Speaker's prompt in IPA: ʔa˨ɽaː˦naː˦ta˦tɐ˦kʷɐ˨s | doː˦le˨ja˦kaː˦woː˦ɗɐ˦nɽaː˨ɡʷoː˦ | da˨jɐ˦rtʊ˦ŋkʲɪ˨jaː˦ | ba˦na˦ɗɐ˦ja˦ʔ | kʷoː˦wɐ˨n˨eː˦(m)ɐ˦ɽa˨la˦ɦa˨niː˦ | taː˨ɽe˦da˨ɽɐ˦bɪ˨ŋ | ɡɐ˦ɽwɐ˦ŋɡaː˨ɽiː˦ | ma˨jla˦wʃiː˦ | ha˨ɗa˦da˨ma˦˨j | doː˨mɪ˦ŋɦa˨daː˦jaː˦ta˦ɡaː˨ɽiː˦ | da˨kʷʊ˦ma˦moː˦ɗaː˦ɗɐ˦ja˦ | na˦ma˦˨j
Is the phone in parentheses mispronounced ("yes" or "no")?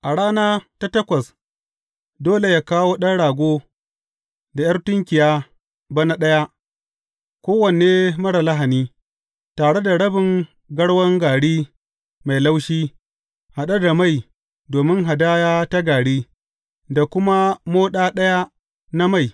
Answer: no